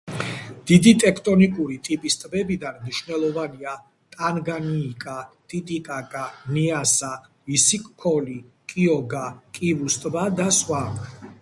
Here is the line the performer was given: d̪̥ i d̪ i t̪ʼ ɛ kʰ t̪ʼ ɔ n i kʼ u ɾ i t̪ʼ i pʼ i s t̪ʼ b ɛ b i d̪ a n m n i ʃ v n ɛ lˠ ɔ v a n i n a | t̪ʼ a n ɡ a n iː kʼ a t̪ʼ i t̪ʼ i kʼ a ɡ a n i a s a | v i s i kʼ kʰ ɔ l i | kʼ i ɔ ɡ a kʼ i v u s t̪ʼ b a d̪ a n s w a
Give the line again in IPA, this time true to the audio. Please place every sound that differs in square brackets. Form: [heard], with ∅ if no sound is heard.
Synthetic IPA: d̪̥ i d̪ i t̪ʼ ɛ kʰ t̪ʼ ɔ n i kʼ u ɾ i t̪ʼ i pʼ i s t̪ʼ b ɛ b i d̪ a n m n i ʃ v n ɛ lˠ ɔ v a n i [∅] a | t̪ʼ a n ɡ a n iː kʼ a t̪ʼ i t̪ʼ i kʼ a ɡ a n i a s a | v i s i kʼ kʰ ɔ l i | kʼ i ɔ ɡ a kʼ i v u s t̪ʼ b a d̪ a [∅] s w a

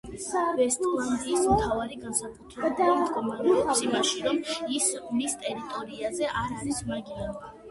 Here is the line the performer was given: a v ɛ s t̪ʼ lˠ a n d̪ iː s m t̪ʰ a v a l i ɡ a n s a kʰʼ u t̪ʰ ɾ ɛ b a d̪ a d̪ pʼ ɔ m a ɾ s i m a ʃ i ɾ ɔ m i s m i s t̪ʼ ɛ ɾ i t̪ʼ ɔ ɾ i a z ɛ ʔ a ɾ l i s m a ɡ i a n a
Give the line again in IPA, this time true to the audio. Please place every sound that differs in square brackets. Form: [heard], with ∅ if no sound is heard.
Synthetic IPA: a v ɛ s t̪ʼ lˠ a n d̪ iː s m t̪ʰ a v a [ɾ] i ɡ a n s a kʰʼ u t̪ʰ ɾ ɛ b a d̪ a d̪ [kʼ] ɔ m a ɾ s i m a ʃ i ɾ ɔ m i s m i s t̪ʼ ɛ ɾ i t̪ʼ ɔ ɾ i a z ɛ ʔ a ɾ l i s m a ɡ i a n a

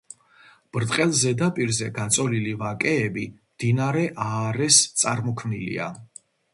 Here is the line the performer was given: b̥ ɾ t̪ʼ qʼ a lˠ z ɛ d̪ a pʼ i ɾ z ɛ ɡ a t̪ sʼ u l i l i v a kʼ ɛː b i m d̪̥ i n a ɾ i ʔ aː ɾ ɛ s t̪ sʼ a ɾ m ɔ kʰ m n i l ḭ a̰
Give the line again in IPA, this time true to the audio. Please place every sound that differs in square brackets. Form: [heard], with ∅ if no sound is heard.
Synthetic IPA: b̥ ɾ t̪ʼ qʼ [ɛ] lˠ z ɛ d̪ a pʼ i ɾ z ɛ ɡ a t̪ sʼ [ɔ] l i l i v a kʼ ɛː b i m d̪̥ i n a ɾ [ɛ] ʔ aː ɾ ɛ s t̪ sʼ a ɾ m ɔ kʰ m n i l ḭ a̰

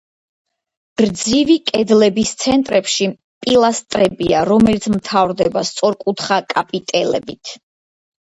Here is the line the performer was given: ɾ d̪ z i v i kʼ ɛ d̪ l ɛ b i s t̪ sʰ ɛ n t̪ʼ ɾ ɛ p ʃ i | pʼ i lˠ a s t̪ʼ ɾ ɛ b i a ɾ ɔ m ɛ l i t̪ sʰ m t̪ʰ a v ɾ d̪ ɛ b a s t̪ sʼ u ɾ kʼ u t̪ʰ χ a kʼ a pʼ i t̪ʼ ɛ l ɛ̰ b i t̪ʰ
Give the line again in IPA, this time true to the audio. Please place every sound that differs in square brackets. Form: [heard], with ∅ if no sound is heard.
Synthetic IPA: ɾ d̪ z i v i kʼ ɛ d̪ l ɛ b i s t̪ sʰ ɛ n t̪ʼ ɾ ɛ p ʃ i | pʼ i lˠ a s t̪ʼ ɾ ɛ b i a ɾ ɔ m ɛ l i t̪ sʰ m t̪ʰ a v ɾ d̪ ɛ b a s t̪ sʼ [ɔ] ɾ kʼ u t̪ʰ χ a kʼ a pʼ i t̪ʼ ɛ l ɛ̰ b i t̪ʰ

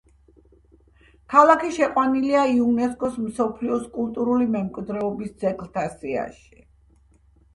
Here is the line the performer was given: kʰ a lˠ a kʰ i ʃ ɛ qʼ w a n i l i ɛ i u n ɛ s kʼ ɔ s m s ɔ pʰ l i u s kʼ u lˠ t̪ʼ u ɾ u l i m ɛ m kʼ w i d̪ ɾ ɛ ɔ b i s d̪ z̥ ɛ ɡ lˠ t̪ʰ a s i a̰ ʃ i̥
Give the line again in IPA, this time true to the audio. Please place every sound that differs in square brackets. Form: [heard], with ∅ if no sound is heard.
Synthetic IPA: kʰ a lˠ a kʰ i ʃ ɛ qʼ w a n i l i [a] i u n ɛ s kʼ ɔ s m s ɔ pʰ l i [ɔ] s kʼ u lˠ t̪ʼ u ɾ u l i m ɛ m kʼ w i d̪ ɾ ɛ ɔ b i s d̪ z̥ ɛ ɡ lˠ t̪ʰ a s i a̰ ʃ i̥

